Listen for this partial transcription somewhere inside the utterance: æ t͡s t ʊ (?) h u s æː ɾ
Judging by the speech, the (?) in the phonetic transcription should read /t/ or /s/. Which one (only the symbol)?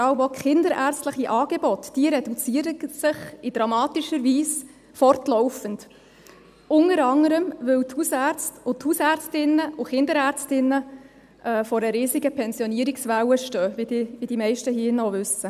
t